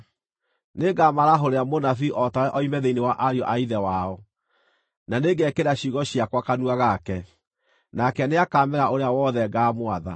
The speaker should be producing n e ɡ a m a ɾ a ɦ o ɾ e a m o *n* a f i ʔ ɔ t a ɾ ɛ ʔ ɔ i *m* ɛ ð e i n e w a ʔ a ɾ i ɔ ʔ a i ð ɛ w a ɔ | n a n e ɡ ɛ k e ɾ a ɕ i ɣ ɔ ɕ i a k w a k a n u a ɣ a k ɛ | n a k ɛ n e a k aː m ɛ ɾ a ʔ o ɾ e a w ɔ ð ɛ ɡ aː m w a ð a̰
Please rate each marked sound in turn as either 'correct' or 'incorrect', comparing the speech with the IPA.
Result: correct, correct

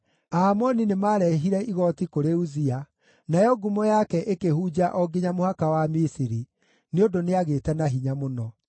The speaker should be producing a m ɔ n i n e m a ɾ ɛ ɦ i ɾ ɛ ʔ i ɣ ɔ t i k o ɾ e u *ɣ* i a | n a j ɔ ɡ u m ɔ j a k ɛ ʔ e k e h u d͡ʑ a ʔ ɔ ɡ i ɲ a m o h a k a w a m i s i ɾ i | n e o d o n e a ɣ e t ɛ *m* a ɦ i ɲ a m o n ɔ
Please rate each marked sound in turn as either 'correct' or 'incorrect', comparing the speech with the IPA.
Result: incorrect: z, incorrect: n

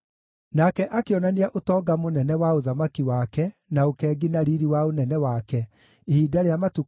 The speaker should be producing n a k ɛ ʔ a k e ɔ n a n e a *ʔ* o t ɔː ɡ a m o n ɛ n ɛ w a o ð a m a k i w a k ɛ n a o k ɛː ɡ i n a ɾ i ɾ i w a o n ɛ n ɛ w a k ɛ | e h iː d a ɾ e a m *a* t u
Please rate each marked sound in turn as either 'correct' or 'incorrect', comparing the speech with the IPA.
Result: correct, correct

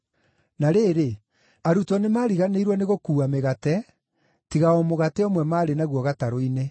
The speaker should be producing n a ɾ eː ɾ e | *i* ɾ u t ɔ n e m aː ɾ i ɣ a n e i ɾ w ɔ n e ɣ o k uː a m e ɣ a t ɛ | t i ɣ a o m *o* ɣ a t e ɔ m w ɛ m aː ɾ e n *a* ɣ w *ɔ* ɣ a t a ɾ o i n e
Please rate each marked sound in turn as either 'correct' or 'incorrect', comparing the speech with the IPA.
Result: incorrect: a, correct, correct, correct

